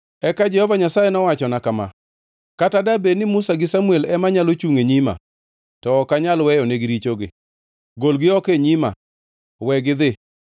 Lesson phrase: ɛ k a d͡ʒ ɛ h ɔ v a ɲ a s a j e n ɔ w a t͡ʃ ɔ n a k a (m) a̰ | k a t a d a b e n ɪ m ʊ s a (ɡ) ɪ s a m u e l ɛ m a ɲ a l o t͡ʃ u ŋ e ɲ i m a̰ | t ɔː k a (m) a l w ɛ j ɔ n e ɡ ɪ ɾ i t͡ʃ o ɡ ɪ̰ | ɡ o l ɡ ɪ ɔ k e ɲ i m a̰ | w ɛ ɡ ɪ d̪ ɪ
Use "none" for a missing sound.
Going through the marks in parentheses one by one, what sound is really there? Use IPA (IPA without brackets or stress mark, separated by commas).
m, ɡ, ɲ